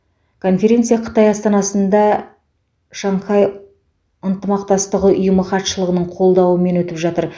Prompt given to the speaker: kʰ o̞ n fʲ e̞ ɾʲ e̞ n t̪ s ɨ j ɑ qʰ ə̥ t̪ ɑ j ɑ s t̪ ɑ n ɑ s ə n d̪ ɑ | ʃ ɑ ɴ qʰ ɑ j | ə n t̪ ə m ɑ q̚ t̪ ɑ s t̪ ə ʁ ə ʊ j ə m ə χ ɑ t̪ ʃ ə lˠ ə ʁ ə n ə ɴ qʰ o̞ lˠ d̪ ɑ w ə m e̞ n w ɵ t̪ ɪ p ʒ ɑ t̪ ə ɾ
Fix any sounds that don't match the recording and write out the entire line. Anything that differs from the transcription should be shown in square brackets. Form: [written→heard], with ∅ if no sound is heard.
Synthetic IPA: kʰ o̞ n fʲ e̞ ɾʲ e̞ n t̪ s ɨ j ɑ qʰ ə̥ t̪ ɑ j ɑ s t̪ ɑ n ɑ s ə n d̪ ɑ | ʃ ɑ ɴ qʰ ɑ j | ə n t̪ ə m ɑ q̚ t̪ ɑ s t̪ ə ʁ ə ʊ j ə m ə χ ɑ t̪ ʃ ə lˠ ə ʁ ə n ə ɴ qʰ o̞ lˠ d̪ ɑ w ə m e̞ n w ɵ t̪ ɪ p ʒ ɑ t̪ ə ɾ